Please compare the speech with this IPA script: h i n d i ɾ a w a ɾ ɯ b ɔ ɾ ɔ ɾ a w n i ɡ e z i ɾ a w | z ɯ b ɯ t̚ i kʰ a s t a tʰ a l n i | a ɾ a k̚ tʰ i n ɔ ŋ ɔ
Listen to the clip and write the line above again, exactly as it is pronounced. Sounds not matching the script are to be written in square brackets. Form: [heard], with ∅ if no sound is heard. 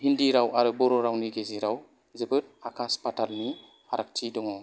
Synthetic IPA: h i n d i ɾ a w a ɾ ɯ b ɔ ɾ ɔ ɾ a w n i ɡ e z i ɾ a w | z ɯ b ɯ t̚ [a] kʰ a s [p] a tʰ a l n i | a ɾ a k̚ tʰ i [d] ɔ ŋ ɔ